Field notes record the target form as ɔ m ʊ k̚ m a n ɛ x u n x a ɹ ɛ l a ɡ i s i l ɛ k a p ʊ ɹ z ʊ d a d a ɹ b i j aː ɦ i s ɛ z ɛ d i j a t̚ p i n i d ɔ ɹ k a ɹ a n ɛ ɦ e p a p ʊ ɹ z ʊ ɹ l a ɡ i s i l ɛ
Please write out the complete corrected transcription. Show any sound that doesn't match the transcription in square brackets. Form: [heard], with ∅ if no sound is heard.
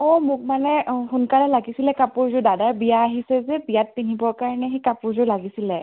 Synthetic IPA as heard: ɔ m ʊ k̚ m a n ɛ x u n [k] a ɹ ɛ l a ɡ i s i l ɛ k a p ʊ ɹ z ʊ d a d a ɹ b i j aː ɦ i s ɛ z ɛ [b] i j a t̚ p i n i [b] ɔ ɹ k a ɹ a n ɛ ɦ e [k] a p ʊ ɹ z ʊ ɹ l a ɡ i s i l ɛ